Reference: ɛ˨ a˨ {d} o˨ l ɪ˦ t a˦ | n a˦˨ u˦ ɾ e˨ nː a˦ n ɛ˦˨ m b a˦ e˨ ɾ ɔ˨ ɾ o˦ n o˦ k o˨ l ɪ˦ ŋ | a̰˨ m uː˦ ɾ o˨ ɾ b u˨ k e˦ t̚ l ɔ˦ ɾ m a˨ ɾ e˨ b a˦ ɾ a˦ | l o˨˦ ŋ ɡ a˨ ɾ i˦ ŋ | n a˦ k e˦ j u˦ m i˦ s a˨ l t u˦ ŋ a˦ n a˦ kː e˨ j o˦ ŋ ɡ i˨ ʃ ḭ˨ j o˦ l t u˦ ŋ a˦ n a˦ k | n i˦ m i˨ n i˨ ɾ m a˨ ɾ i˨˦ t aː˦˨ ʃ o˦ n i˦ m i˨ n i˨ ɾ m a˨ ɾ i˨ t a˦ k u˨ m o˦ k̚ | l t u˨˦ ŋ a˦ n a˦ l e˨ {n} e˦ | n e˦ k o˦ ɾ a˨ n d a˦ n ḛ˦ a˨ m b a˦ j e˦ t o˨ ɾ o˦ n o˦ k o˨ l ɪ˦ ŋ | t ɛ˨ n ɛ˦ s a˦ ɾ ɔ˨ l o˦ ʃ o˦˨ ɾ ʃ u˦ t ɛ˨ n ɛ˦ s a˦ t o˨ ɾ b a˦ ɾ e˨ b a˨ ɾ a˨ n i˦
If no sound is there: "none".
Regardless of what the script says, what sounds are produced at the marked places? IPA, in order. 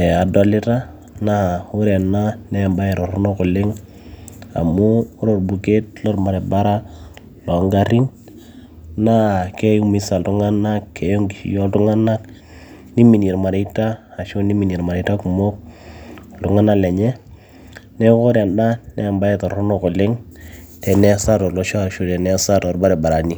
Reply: d, ɲ

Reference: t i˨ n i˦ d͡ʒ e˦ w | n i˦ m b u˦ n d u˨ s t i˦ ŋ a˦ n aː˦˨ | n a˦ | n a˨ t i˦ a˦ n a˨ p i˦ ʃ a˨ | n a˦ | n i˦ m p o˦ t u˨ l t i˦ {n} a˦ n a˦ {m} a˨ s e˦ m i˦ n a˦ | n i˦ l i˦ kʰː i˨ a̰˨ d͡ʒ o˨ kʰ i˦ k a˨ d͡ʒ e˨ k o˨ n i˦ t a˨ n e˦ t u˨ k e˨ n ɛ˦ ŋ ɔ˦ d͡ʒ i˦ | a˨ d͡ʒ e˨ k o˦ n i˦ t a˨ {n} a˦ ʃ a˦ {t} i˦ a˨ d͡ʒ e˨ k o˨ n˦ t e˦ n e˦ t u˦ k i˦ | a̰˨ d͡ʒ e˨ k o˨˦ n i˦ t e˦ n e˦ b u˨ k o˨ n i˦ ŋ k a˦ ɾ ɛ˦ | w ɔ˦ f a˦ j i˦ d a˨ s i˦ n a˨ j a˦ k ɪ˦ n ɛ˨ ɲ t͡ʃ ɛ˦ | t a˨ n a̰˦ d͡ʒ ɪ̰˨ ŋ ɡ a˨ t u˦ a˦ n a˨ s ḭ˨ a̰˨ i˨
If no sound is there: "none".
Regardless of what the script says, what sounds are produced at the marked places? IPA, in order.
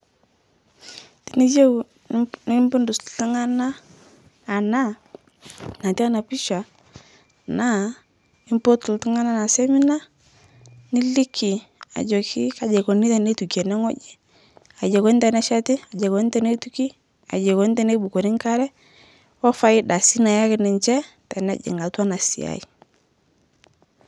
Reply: ŋ, n, n, t

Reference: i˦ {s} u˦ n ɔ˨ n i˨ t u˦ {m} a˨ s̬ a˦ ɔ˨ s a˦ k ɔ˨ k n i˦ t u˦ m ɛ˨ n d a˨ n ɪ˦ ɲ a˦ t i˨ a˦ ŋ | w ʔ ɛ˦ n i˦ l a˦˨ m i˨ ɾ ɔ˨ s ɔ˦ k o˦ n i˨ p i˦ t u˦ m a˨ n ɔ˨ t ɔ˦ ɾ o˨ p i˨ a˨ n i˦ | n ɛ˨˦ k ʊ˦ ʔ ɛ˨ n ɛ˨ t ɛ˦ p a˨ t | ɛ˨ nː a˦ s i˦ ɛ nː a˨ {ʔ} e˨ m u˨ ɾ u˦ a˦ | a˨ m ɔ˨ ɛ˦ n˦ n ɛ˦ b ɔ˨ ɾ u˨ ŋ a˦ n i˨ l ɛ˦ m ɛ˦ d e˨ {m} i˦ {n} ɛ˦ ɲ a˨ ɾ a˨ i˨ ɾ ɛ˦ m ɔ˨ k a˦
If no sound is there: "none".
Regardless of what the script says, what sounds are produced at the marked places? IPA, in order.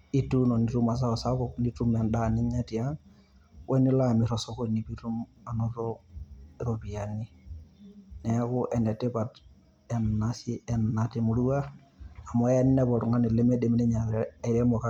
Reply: t, m, t, m, n

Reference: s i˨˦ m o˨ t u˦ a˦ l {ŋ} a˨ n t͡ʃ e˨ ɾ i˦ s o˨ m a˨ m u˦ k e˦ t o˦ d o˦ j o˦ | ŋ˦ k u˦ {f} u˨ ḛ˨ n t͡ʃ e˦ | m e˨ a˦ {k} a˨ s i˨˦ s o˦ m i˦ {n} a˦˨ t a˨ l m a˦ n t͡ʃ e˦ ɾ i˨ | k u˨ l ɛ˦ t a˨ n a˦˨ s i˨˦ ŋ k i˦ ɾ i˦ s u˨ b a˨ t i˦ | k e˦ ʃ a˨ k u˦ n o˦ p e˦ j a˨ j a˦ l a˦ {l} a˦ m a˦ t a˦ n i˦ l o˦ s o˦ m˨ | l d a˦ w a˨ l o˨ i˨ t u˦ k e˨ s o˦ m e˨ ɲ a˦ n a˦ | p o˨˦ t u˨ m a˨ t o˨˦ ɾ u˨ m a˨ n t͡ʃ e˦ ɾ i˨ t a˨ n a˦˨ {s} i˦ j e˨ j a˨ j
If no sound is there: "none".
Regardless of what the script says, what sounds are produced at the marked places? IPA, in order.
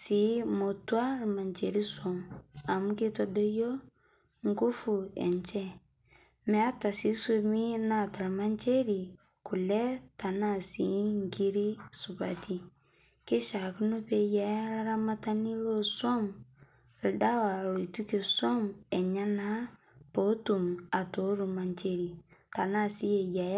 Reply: m, f, t, n, ɾ, s

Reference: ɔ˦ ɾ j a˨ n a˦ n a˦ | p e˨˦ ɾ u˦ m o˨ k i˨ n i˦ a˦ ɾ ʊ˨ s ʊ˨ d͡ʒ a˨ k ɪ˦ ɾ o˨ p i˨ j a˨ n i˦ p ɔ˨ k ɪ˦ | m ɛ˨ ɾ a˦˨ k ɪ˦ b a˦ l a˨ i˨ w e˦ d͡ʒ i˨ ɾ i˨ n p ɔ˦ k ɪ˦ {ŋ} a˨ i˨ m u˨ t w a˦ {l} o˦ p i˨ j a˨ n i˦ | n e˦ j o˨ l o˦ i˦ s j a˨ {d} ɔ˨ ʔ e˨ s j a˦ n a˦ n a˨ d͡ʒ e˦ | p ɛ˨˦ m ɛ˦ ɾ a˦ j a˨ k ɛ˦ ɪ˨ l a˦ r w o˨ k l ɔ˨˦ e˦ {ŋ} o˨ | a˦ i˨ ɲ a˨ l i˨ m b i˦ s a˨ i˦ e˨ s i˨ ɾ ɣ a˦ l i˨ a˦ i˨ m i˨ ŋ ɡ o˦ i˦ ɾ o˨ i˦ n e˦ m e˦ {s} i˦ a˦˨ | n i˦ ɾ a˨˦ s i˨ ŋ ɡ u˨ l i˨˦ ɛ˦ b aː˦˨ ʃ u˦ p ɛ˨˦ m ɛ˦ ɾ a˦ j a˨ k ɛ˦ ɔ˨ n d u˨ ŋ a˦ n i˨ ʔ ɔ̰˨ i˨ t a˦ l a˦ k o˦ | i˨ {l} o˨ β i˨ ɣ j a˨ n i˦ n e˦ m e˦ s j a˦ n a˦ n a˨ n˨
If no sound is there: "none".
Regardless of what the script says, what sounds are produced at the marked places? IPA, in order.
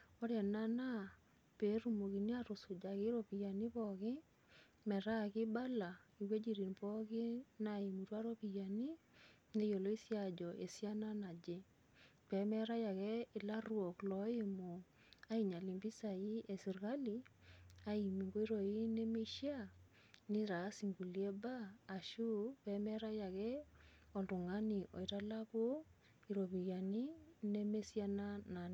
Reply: n, ɾ, d͡ʒ, m, ʃ, ɾ

